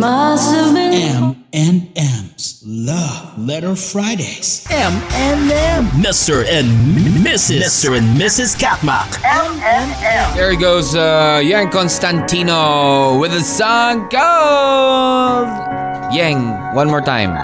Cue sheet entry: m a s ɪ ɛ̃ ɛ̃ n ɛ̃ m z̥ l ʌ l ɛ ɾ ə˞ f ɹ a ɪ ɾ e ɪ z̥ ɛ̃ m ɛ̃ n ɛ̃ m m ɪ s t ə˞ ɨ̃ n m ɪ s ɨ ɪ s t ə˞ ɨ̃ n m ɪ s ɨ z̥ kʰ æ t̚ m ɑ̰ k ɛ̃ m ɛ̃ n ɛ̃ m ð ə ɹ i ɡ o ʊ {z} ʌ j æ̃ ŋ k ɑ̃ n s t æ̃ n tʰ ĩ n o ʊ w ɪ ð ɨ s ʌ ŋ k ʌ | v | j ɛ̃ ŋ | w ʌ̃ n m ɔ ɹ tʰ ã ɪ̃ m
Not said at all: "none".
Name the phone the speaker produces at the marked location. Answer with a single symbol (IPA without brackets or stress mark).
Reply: z